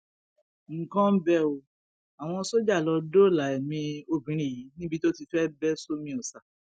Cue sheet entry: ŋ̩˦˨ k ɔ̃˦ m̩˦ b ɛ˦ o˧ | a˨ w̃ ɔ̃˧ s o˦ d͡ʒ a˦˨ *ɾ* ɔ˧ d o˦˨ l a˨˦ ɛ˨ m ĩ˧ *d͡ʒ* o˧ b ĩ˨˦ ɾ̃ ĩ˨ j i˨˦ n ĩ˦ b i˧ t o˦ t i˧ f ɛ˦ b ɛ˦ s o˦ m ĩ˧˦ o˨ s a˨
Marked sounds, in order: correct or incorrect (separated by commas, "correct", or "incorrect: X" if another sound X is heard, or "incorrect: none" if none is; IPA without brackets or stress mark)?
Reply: incorrect: l, incorrect: none